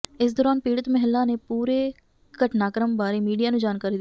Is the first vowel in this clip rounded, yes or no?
no